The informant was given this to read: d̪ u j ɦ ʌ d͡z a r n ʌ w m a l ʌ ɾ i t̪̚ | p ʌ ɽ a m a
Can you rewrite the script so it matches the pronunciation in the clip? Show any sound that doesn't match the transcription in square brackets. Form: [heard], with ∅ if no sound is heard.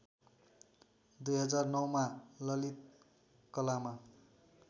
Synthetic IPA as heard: d̪ u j ɦ ʌ d͡z a r n ʌ w m a l ʌ [l] i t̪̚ | [k] ʌ [l] a m a